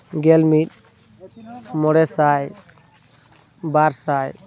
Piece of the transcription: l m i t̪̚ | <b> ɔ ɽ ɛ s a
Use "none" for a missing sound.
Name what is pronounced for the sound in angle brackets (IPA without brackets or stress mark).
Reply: m